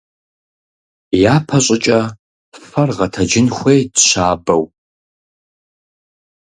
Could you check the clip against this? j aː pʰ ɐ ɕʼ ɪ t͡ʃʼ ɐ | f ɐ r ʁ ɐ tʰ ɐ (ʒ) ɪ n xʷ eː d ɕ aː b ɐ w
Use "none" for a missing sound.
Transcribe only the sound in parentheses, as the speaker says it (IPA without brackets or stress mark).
d͡ʒ